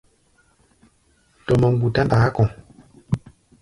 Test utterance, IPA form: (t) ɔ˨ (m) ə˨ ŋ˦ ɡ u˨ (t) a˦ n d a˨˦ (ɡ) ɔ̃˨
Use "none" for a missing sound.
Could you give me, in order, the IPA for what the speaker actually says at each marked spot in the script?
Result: t, m, t, k

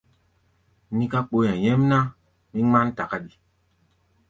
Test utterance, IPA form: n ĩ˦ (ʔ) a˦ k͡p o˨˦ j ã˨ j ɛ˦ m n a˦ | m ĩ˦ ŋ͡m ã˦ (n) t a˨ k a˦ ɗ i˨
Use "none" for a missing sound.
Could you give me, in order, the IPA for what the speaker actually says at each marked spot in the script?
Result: k, n

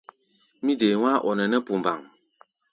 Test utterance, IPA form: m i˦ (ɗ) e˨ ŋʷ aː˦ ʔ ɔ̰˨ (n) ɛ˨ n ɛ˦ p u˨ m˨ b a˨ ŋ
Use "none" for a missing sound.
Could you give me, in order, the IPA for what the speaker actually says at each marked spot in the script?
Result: d, n

